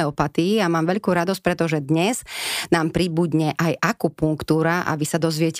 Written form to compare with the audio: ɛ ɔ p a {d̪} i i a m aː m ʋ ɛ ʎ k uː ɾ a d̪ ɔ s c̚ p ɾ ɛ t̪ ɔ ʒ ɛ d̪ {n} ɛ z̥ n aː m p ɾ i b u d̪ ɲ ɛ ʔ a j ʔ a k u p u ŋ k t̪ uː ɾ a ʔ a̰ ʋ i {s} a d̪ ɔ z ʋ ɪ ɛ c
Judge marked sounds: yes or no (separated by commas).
no, no, yes